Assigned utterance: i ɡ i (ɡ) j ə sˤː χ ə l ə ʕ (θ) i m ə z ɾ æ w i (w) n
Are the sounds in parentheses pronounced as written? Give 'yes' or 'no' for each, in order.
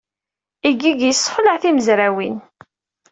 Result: yes, yes, no

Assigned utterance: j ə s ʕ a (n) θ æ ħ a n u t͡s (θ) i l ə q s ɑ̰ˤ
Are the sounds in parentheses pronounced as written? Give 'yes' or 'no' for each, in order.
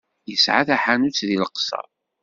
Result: no, no

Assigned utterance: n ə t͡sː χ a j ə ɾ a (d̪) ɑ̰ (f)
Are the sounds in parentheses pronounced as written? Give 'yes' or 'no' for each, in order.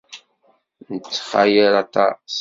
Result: no, no

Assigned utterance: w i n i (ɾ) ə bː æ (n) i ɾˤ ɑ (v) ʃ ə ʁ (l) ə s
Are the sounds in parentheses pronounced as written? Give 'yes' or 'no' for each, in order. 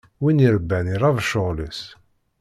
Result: yes, yes, yes, yes

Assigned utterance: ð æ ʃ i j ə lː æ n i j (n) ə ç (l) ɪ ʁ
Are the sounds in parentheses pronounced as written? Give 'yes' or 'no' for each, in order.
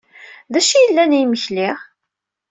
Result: no, yes

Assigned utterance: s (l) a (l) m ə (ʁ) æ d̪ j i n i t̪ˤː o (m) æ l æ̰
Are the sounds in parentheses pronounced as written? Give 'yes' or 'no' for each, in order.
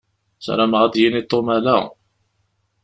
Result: no, no, yes, yes

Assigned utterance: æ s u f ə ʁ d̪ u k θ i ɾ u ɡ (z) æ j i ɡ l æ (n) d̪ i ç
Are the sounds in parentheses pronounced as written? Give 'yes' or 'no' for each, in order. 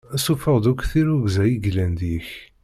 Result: yes, yes

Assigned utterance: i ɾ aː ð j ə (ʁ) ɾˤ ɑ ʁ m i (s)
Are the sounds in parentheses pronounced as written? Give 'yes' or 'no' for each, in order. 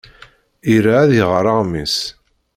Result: yes, yes

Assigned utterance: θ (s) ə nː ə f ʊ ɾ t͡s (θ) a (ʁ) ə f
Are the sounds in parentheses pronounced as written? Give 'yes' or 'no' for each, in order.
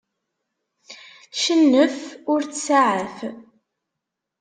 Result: no, no, no

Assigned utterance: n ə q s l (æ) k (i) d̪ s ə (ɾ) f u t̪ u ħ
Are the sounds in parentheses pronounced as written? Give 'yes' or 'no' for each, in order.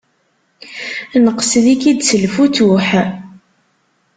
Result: no, yes, no

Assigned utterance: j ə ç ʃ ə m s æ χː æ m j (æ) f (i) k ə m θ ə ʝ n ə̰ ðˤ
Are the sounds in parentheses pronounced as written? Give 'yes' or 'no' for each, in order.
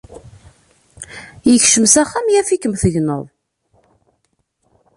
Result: yes, yes

